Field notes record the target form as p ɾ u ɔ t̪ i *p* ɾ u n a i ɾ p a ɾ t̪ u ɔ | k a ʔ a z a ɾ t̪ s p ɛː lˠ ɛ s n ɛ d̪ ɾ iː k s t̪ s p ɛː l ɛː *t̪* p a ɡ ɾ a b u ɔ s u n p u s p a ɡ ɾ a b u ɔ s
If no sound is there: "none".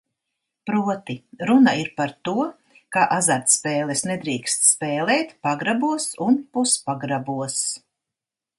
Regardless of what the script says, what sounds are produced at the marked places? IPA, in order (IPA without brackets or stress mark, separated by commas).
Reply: none, t̪